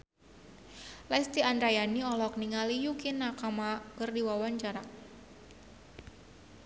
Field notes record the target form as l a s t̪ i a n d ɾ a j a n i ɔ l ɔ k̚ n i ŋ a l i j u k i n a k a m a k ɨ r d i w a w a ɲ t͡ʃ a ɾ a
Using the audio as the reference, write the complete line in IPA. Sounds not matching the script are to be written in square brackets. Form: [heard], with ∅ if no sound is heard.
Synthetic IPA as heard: l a s t̪ i a n d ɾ a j a n i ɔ l ɔ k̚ n i ŋ a l i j u k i n a k a m a k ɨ r d i w a w a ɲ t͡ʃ a ɾ a